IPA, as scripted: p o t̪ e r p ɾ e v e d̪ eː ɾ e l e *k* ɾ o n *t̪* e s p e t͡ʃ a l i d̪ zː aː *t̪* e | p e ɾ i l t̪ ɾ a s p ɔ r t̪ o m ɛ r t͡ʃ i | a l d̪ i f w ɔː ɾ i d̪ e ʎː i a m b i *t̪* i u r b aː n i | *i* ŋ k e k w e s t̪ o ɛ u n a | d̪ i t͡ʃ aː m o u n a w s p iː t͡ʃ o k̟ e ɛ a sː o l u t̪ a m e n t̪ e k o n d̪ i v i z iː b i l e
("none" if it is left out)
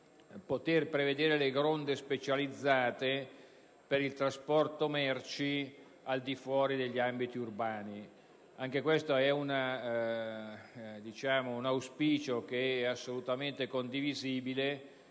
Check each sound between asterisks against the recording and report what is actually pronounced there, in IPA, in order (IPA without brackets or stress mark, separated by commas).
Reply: ɡ, d̪, t̪, t̪, a